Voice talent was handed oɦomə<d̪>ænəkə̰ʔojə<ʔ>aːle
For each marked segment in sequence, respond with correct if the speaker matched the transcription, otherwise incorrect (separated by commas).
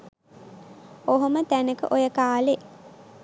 incorrect, incorrect